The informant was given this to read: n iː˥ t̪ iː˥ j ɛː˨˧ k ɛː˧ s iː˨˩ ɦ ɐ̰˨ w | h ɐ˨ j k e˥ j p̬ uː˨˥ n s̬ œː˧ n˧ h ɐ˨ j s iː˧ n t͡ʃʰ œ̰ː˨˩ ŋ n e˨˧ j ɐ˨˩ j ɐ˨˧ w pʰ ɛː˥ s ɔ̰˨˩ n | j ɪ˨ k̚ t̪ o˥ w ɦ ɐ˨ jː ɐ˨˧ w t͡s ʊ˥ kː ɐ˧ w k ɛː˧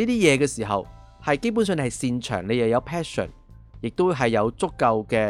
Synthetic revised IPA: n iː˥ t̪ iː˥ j ɛː˨˧ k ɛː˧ s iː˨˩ ɦ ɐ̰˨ w | h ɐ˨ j k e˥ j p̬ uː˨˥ n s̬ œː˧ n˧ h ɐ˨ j s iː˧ n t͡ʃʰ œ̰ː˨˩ ŋ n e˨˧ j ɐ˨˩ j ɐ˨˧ w pʰ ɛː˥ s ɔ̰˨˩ n | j ɪ˨ k̚ t̪ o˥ w ɦ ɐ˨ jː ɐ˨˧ w t͡s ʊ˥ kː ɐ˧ w k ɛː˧